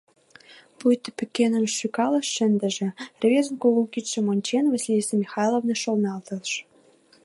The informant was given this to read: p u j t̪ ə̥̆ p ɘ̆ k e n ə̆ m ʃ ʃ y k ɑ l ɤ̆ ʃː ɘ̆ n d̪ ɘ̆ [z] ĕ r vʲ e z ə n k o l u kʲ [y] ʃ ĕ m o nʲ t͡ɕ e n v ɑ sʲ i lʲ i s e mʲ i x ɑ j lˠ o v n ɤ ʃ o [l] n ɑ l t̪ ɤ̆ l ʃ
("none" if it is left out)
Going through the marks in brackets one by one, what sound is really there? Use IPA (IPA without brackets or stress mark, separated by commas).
ʒ, i, l